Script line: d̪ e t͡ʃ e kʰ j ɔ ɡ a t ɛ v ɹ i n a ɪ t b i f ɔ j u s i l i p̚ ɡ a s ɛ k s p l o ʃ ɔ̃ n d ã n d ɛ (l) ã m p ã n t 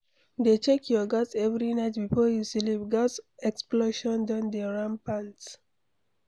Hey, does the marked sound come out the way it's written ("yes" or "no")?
no